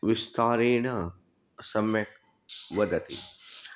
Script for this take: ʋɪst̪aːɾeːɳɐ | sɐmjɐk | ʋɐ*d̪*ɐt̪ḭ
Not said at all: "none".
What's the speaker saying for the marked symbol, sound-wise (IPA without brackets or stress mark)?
d̪